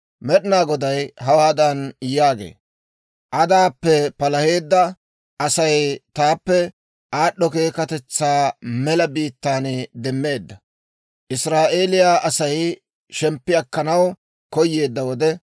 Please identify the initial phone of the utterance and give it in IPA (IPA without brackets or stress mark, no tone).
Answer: m